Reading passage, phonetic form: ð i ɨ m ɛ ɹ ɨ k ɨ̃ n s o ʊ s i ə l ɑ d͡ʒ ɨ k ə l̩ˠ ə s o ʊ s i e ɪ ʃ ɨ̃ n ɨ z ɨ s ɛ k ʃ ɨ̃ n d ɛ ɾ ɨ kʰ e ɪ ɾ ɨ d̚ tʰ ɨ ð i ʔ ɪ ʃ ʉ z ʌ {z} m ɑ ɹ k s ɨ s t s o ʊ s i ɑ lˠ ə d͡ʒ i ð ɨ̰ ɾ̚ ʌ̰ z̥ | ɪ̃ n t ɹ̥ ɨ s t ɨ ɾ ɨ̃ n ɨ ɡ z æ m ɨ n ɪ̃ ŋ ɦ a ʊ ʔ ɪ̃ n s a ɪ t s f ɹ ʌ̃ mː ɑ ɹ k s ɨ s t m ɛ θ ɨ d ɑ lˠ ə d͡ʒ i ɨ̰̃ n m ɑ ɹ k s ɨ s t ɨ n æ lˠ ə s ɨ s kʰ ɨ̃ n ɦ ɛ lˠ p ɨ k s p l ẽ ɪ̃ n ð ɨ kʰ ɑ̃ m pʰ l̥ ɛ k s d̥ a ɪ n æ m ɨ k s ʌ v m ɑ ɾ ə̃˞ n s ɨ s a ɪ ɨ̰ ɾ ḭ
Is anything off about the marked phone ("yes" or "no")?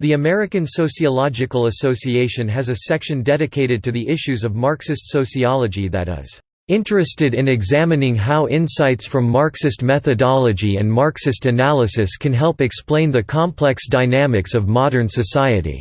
yes